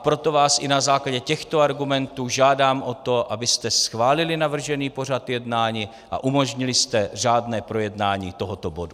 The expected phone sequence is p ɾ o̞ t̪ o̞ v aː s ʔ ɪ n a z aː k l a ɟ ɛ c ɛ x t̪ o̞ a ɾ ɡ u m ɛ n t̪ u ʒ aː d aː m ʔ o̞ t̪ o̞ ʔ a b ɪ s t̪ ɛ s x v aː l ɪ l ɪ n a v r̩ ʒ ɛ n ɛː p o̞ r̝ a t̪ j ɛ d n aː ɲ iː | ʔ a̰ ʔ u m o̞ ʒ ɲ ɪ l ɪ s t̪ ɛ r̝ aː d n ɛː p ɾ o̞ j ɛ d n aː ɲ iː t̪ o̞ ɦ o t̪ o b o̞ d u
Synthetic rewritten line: p ɾ o̞ t̪ o̞ v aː s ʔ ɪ n a z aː k l a ɟ ɛ c ɛ x t̪ o̞ a ɾ ɡ u m ɛ n t̪ uː ʒ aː d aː m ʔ o̞ t̪ o̞ ʔ a b ɪ s t̪ ɛ s x v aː l ɪ l ɪ n a v r̩ ʒ ɛ n iː p o̞ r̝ a t̪ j ɛ d n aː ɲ iː | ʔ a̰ ʔ u m o̞ ʒ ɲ ɪ l ɪ s t̪ ɛ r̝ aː d n ɛː p ɾ o̞ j ɛ d n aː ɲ iː t̪ o̞ ɦ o t̪ o b o̞ d u

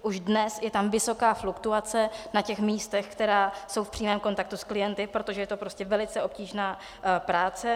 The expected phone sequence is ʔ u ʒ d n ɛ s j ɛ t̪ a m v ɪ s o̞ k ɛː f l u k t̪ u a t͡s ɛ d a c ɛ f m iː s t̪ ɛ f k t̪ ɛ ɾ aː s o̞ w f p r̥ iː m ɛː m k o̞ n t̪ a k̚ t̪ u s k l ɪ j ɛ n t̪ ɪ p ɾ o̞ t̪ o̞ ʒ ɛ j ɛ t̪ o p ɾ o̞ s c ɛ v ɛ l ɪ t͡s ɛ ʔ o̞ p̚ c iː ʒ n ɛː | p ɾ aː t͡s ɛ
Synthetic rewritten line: ʔ u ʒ d n ɛ s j ɛ t̪ a m v ɪ s o̞ k aː f l u k t̪ u a t͡s ɛ n a c ɛ x m iː s t̪ ɛ x k t̪ ɛ ɾ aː s o̞ w f p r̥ iː m ɛː m k o̞ n t̪ a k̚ t̪ u s k l ɪ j ɛ n t̪ ɪ p ɾ o̞ t̪ o̞ ʒ ɛ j ɛ t̪ o p ɾ o̞ s c ɛ v ɛ l ɪ t͡s ɛ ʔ o̞ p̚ c iː ʒ n aː | p ɾ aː t͡s ɛ

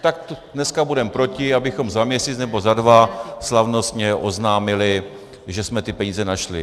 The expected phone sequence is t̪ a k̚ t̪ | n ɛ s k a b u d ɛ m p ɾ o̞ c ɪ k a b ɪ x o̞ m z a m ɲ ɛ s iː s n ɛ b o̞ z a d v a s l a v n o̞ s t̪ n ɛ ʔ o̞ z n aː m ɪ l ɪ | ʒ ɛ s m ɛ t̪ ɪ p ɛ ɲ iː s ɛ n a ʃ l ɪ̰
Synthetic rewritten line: t̪ a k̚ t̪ | n ɛ s k a b u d ɛ m p ɾ o̞ c ɪ a b ɪ x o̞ m z a m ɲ ɛ s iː t͡s n ɛ b o̞ z a d v a s l a v n o̞ s t̪ ɲ ɛ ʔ o̞ z n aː m ɪ l ɪ | ʒ ɛ s m ɛ t̪ ɪ p ɛ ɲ iː z ɛ n a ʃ l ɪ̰

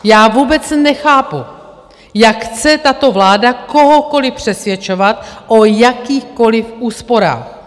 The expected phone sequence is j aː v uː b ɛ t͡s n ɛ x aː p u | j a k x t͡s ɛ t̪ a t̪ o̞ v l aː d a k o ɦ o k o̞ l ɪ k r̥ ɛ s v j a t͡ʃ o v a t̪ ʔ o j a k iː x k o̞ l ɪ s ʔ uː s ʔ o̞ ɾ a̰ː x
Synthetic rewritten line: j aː v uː b ɛ t͡s n ɛ x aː p u | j a k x t͡s ɛ t̪ a t̪ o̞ v l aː d a k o ɦ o k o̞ l ɪ p r̥ ɛ s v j ɛ t͡ʃ o v a t̪ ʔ o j a k iː x k o̞ l ɪ f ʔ uː s p o̞ ɾ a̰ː x

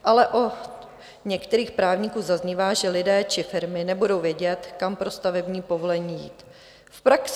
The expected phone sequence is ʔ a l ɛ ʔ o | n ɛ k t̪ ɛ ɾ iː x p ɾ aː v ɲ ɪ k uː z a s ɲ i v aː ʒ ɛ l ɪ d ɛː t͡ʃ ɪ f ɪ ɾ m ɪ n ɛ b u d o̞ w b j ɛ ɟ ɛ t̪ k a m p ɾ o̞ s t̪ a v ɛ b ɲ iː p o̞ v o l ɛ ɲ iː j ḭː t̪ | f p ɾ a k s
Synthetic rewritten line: ʔ a l ɛ ʔ o | ɲ ɛ k t̪ ɛ ɾ iː x p ɾ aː v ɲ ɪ k uː z a z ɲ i v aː ʒ ɛ l ɪ d ɛː t͡ʃ ɪ f ɪ ɾ m ɪ n ɛ b u d o̞ w v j ɛ ɟ ɛ t̪ k a m p ɾ o̞ s t̪ a v ɛ b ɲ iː p o̞ v o l ɛ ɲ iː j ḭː t̪ | f p ɾ a k s

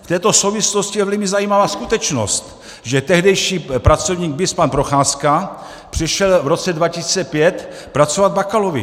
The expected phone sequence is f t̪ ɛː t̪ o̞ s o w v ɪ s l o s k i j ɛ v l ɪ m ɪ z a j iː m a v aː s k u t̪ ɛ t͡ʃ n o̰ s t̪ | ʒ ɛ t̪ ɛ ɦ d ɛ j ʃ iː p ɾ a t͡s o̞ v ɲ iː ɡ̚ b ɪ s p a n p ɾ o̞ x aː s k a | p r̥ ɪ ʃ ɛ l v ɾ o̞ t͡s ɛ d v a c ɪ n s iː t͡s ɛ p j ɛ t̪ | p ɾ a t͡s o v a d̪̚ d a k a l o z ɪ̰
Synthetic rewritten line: f t̪ ɛː t̪ o̞ s o w v ɪ s l o s c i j ɛ v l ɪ m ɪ z a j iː m a v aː s k u t̪ ɛ t͡ʃ n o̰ s t̪ | ʒ ɛ t̪ ɛ ɦ d ɛ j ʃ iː p ɾ a t͡s o̞ v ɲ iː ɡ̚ b ɪ s p a n p ɾ o̞ x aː s k a | p r̥ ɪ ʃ ɛ l v ɾ o̞ t͡s ɛ d v a c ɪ s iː t͡s ɛ p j ɛ t̪ | p ɾ a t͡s o v a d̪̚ b a k a l o v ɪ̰

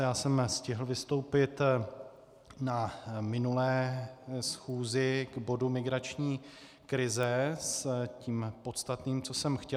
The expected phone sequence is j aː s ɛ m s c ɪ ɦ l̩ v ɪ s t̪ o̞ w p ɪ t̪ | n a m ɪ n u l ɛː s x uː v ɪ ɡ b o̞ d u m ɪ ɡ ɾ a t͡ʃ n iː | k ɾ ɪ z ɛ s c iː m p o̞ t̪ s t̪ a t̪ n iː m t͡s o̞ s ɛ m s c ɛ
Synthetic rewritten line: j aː s ɛ m s c ɪ ɦ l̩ v ɪ s t̪ o̞ w p ɪ t̪ | n a m ɪ n u l ɛː s x uː z ɪ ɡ b o̞ d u m ɪ ɡ ɾ a t͡ʃ ɲ iː | k ɾ ɪ z ɛ s c iː m p o̞ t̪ s t̪ a t̪ n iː m t͡s o̞ s ɛ m x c ɛ

